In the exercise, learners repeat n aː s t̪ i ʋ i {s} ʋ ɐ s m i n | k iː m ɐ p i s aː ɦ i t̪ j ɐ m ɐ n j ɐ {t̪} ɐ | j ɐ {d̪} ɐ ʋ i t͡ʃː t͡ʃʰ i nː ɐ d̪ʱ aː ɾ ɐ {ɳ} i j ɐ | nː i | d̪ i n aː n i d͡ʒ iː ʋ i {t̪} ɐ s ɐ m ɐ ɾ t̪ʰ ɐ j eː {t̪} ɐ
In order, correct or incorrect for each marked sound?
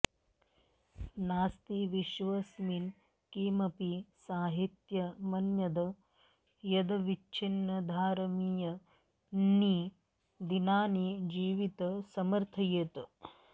incorrect: ʃ, incorrect: d̪, correct, incorrect: m, correct, correct

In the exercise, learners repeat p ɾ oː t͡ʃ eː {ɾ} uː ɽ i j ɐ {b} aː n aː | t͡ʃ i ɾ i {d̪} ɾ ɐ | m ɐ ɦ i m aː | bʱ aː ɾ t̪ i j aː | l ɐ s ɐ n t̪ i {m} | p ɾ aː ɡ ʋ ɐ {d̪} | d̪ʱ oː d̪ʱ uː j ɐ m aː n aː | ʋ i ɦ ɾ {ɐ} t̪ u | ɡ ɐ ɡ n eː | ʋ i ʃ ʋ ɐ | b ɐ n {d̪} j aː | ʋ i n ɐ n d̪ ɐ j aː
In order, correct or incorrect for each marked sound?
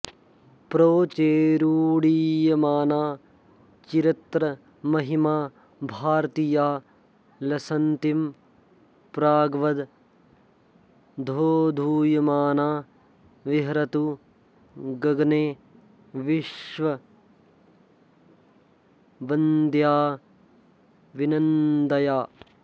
correct, incorrect: m, incorrect: t̪, correct, correct, correct, correct

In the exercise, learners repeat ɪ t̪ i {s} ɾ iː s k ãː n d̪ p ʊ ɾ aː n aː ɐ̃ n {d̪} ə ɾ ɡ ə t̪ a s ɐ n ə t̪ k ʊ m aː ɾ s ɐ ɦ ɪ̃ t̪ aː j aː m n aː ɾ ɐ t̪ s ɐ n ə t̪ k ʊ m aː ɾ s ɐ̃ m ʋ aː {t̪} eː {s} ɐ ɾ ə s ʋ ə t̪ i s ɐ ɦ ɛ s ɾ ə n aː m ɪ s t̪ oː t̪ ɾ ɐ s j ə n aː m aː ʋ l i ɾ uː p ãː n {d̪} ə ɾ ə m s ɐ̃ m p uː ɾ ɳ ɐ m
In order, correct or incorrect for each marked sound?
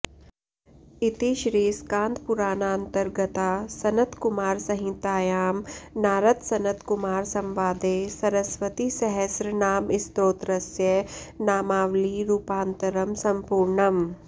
incorrect: ʃ, incorrect: t̪, incorrect: d̪, correct, incorrect: t̪

